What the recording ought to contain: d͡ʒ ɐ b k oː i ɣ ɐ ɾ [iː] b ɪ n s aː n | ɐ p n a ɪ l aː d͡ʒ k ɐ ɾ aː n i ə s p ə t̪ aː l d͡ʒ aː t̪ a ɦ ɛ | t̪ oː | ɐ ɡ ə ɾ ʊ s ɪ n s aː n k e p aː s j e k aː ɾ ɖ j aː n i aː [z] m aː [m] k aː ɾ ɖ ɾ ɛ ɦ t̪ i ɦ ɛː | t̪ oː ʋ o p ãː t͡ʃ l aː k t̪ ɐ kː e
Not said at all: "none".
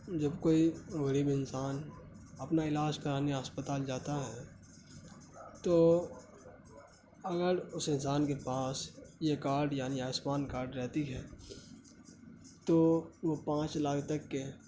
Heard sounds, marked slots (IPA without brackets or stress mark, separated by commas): iː, s, n